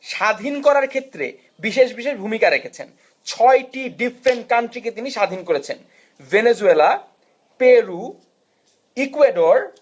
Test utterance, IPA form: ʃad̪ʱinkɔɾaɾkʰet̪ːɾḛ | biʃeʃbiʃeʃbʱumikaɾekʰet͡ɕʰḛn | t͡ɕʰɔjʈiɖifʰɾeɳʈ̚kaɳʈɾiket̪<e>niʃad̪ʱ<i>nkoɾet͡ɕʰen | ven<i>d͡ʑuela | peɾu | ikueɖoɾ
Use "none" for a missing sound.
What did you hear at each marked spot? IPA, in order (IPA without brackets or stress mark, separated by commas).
i, i, e